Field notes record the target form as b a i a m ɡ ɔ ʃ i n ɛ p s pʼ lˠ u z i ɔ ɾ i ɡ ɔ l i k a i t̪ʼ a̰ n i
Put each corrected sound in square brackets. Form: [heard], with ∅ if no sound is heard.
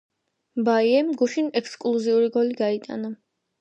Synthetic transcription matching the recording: b a i [ɛ] m ɡ [u] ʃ i n ɛ [k] s [kʼ] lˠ u z i [u] ɾ i ɡ ɔ l i [ɡ] a i t̪ʼ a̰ n [a]